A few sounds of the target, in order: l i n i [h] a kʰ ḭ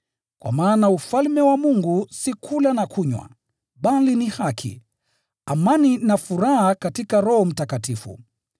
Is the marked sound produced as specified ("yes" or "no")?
yes